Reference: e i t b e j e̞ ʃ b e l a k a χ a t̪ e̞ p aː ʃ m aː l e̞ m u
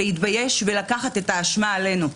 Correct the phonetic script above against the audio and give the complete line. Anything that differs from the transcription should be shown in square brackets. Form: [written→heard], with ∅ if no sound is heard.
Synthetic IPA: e i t b [e→a] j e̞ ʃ [b→v] e l a k a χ a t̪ e̞ [p→t] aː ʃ m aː l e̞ [m→n] u